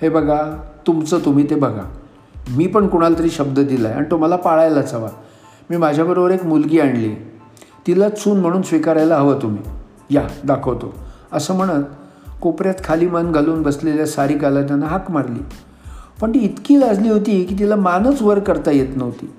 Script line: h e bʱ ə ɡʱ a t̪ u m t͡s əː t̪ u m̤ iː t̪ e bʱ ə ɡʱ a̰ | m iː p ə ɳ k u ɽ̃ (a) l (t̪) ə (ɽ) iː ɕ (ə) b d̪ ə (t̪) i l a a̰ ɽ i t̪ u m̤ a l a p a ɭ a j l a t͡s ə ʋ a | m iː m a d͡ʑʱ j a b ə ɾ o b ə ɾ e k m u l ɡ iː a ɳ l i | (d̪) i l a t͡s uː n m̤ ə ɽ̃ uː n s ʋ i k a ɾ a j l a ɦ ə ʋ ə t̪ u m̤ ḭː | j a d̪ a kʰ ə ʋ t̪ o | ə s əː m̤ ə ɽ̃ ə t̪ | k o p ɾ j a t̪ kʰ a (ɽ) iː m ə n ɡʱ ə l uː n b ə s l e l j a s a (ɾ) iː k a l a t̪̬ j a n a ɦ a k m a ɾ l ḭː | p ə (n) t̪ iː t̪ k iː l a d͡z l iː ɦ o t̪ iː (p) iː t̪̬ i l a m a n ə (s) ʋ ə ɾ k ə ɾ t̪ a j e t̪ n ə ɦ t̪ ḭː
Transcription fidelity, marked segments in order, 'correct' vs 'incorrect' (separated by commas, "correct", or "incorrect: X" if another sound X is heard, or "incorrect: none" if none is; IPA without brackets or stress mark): correct, correct, incorrect: ɾ, correct, incorrect: d̪, incorrect: t̪, incorrect: l, correct, incorrect: ɳ, incorrect: k, incorrect: t͡s